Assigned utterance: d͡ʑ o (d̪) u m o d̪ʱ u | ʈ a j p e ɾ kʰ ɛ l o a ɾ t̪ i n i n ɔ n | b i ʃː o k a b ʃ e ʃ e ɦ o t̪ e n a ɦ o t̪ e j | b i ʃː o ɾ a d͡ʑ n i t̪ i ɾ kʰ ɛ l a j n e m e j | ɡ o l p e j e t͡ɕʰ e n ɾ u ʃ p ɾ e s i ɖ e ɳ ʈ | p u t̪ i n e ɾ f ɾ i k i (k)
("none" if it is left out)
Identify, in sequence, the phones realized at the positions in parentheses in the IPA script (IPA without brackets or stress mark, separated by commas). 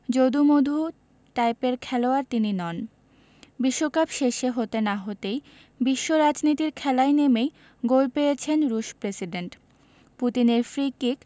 d̪, k